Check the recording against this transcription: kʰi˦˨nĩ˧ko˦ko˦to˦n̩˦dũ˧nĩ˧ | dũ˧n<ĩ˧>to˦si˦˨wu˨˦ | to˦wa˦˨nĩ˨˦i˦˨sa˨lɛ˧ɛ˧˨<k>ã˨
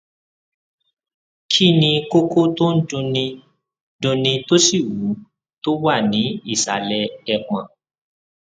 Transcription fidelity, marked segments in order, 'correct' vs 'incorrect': correct, incorrect: k͡p

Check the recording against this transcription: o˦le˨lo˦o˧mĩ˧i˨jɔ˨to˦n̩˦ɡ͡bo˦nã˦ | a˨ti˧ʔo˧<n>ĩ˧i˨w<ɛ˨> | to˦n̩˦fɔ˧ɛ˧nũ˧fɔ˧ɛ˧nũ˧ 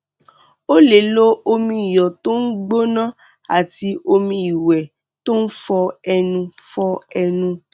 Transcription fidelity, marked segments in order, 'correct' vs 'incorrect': incorrect: m, correct

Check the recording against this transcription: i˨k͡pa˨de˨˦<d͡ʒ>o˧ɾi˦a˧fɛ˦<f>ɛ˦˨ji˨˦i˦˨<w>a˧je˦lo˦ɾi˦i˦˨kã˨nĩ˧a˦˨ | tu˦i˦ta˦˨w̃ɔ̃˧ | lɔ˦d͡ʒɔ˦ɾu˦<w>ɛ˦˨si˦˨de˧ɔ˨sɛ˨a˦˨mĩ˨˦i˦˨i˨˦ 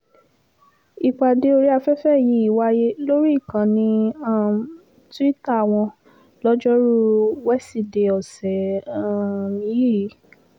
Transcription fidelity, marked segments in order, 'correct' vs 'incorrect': incorrect: none, correct, correct, correct

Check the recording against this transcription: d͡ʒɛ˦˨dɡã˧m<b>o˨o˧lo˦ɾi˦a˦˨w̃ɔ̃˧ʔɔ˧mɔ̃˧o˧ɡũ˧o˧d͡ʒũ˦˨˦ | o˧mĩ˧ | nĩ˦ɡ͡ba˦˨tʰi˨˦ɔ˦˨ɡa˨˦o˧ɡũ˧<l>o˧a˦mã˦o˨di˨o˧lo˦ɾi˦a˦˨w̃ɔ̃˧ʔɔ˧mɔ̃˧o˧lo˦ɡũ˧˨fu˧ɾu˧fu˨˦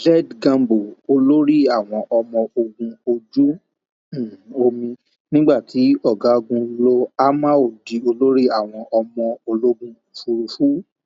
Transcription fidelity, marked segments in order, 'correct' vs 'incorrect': correct, correct

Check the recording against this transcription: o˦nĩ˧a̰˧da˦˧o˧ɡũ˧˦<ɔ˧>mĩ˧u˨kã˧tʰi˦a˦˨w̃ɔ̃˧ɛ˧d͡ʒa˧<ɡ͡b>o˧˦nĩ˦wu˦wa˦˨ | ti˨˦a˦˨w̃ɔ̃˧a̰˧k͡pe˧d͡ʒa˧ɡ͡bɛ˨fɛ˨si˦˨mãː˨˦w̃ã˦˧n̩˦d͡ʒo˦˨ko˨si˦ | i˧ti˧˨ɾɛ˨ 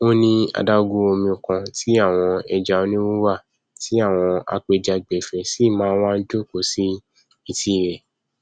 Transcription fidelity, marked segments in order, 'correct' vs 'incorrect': incorrect: o˧, incorrect: none

